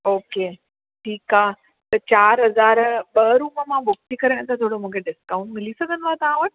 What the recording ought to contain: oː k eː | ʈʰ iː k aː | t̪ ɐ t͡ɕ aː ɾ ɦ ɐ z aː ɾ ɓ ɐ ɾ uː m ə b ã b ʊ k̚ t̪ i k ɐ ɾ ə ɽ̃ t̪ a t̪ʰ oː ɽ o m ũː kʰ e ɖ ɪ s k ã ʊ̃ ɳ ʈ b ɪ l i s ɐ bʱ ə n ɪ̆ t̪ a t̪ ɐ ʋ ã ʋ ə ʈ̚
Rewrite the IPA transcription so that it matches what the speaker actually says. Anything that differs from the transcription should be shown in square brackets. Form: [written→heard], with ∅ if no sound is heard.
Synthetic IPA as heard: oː k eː | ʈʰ iː k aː | t̪ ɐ t͡ɕ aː ɾ ɦ ɐ z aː ɾ ɓ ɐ ɾ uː m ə [b→m] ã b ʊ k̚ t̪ i k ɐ ɾ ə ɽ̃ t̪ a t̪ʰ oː ɽ o m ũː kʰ e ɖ ɪ s k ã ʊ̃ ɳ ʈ [b→m] ɪ l i s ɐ [bʱ→ɡʱ] ə n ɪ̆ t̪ a t̪ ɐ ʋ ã ʋ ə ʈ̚

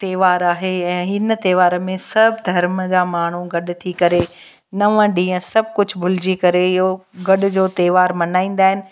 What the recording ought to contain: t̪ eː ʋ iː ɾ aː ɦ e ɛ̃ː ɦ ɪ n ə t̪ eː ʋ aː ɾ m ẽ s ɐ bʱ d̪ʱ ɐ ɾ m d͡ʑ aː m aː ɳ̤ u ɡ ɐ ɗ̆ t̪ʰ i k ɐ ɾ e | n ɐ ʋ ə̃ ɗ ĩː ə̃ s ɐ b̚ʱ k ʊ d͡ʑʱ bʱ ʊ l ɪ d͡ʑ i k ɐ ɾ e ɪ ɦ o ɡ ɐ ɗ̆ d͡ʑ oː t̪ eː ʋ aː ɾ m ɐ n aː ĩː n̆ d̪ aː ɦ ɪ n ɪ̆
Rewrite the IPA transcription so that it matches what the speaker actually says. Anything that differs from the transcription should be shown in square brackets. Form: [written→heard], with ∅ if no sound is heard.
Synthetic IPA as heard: t̪ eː ʋ [iː→aː] ɾ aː ɦ e ɛ̃ː ɦ ɪ n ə t̪ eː ʋ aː ɾ m ẽ s ɐ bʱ d̪ʱ ɐ ɾ m d͡ʑ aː m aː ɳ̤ u ɡ ɐ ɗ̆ t̪ʰ i k ɐ ɾ e | n ɐ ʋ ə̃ ɗ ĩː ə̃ s ɐ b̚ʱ k ʊ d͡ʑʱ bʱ ʊ l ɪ d͡ʑ i k ɐ ɾ e ɪ ɦ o ɡ ɐ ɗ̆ d͡ʑ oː t̪ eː ʋ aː ɾ m ɐ n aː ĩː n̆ d̪ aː ɦ ɪ n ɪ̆

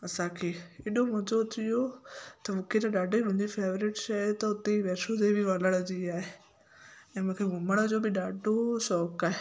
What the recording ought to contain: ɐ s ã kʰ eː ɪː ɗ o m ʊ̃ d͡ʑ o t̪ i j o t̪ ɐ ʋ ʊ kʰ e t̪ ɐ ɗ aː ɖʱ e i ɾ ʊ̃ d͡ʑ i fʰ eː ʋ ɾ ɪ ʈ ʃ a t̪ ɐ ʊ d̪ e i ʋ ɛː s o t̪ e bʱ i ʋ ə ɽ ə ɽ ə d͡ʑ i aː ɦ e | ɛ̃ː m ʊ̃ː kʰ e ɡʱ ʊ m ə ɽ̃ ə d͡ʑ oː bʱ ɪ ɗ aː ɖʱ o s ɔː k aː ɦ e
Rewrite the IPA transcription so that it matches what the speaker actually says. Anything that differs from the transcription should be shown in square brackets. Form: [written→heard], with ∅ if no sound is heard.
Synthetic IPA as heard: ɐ s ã kʰ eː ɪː ɗ o m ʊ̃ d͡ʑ o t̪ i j o t̪ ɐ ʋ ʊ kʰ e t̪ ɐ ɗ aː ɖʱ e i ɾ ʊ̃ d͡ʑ i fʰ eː ʋ ɾ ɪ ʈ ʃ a t̪ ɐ ʊ [d̪→t̪] e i ʋ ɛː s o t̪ e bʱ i ʋ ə [ɽ→l] ə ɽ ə d͡ʑ i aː ɦ e | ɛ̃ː m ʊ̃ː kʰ e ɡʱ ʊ m ə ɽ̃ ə d͡ʑ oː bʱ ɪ ɗ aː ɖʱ o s ɔː k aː ɦ e

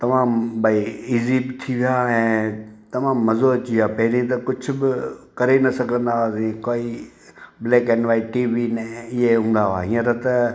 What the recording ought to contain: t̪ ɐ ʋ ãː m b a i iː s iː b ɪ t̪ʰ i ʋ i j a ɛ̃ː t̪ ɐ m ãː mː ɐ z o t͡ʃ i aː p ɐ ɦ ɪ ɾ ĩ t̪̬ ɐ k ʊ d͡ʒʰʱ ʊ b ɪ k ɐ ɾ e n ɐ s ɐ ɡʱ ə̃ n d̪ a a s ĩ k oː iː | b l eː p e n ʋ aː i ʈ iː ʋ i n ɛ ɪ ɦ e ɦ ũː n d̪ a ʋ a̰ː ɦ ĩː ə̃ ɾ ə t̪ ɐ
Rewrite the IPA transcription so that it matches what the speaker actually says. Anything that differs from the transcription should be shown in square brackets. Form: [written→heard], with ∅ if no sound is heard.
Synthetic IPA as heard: t̪ ɐ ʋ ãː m b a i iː [s→z] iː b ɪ t̪ʰ i ʋ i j a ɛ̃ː t̪ ɐ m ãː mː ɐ z o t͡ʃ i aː p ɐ ɦ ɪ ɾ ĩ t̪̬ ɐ k ʊ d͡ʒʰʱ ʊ b ɪ k ɐ ɾ e n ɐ s ɐ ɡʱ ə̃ n d̪ a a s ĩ k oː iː | b l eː [p→k] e n ʋ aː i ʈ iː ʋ i n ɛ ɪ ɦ e ɦ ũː n d̪ a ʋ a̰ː ɦ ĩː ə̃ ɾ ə t̪ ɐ

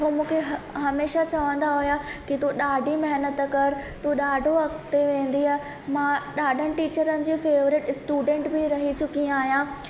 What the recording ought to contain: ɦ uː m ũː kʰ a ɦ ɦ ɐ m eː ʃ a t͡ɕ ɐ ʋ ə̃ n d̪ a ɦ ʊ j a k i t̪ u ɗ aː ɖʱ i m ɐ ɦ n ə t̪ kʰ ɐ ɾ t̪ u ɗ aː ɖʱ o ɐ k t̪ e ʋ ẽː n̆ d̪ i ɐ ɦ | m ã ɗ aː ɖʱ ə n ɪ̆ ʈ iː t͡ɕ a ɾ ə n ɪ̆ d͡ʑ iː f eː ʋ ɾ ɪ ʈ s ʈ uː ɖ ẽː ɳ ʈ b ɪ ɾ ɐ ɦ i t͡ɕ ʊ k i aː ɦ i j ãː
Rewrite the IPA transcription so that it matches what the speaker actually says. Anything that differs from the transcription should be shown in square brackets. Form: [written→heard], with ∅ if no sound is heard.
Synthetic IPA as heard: ɦ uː m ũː kʰ [a→e] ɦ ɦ ɐ m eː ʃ a t͡ɕ ɐ ʋ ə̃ n d̪ a ɦ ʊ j a k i t̪ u ɗ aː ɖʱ i m ɐ ɦ n ə t̪ [kʰ→k] ɐ ɾ t̪ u ɗ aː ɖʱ o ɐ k t̪ e ʋ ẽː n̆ d̪ i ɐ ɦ | m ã ɗ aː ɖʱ ə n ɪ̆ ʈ iː t͡ɕ [a→ə] ɾ ə n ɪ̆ d͡ʑ iː f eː ʋ ɾ ɪ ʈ s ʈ uː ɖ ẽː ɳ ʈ b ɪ ɾ ɐ ɦ i t͡ɕ ʊ k i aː ɦ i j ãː

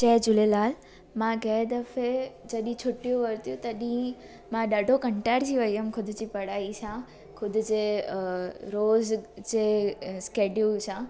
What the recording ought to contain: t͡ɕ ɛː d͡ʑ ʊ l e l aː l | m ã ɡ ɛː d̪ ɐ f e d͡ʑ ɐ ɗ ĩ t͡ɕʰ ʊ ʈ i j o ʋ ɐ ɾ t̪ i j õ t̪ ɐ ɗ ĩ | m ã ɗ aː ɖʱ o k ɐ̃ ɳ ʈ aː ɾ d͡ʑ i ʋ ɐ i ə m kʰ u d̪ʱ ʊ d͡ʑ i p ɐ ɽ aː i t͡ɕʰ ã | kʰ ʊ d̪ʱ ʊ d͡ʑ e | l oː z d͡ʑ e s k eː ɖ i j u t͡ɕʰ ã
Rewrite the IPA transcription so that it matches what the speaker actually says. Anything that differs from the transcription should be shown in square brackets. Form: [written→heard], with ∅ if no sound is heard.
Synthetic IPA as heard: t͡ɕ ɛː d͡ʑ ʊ l e l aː l | m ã ɡ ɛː d̪ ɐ f e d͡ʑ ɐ ɗ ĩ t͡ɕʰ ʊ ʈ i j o ʋ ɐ ɾ t̪ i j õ t̪ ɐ ɗ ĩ | m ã ɗ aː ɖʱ o k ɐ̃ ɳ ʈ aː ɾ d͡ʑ i ʋ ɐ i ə m kʰ [u→ʊ] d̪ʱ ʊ d͡ʑ i p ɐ ɽ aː i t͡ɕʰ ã | kʰ ʊ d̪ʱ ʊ d͡ʑ e | [l→ɾ] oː z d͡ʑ e s k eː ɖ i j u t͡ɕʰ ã

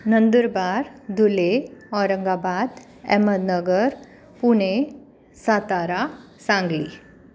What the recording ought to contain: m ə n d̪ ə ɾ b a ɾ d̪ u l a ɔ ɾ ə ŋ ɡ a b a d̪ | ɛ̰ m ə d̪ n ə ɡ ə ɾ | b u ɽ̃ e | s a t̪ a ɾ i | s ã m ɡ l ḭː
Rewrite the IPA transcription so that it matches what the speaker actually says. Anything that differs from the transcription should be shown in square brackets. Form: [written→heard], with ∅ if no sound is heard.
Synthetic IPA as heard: [m→n] ə n d̪ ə ɾ b a ɾ d̪ u l [a→e] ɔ ɾ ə ŋ ɡ a b a d̪ | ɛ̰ m ə d̪ n ə ɡ ə ɾ | [b→p] u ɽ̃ e | s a t̪ a ɾ [i→a] | s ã [m→ŋ] ɡ l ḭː

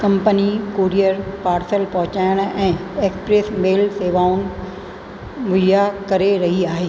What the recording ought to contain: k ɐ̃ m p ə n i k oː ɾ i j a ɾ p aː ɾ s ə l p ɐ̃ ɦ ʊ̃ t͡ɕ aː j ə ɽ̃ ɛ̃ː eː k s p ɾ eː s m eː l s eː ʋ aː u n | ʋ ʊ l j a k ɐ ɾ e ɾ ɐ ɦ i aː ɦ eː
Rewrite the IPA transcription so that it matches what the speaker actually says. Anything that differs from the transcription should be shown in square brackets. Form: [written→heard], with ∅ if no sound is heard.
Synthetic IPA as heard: k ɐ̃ m p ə n i k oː ɾ i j [a→ə] ɾ p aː ɾ s ə l p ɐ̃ ɦ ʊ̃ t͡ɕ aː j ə ɽ̃ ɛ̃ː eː k s p ɾ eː s m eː l s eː ʋ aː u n | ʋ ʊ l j a k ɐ ɾ e ɾ ɐ ɦ i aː ɦ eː

